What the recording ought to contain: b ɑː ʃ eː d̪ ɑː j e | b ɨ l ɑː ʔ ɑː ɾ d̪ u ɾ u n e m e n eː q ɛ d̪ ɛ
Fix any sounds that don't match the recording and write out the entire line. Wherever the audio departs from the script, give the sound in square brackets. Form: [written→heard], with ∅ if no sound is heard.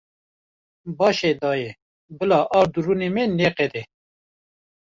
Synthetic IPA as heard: b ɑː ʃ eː d̪ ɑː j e | b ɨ l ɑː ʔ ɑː ɾ d̪ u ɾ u n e m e n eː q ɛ d̪ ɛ